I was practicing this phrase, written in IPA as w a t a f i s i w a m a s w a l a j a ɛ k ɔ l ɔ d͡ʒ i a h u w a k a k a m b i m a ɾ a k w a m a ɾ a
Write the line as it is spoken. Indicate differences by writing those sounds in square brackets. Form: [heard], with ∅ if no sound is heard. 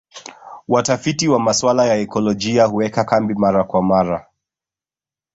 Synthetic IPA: w a t a f i [t] i w a m a s w a l a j a ɛ k ɔ l ɔ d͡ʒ i a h u w [ɛ] k a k a m b i m a ɾ a k w a m a ɾ a